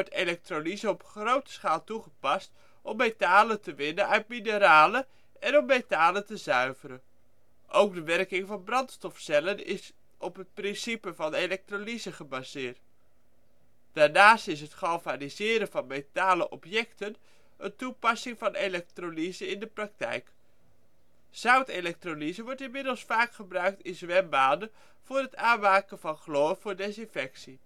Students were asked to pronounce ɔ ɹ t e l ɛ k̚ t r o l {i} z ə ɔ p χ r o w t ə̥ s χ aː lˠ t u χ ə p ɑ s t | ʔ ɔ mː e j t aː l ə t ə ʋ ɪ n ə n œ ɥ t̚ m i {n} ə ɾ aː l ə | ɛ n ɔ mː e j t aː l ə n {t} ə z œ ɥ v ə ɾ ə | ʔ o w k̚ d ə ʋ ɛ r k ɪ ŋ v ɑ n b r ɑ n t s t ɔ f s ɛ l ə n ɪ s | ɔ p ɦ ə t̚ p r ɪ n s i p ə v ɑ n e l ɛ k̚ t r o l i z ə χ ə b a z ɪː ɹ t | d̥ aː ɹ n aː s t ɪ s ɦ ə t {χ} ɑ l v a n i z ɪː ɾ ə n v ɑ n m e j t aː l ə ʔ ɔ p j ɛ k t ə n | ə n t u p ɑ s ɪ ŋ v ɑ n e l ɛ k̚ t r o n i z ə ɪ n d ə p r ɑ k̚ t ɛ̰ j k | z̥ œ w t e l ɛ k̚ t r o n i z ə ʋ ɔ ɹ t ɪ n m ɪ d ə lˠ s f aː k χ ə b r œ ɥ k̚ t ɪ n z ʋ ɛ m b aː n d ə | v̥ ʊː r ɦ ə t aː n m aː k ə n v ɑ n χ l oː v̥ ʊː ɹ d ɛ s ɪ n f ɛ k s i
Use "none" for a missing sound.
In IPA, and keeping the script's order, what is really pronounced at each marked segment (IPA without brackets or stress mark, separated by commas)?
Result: i, n, t, χ